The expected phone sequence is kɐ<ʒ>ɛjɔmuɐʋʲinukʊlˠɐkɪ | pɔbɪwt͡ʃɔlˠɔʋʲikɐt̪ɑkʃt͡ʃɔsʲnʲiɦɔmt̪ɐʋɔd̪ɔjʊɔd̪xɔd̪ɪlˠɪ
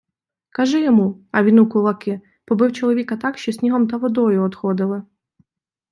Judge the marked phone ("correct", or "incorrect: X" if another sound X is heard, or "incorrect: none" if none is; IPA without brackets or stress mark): correct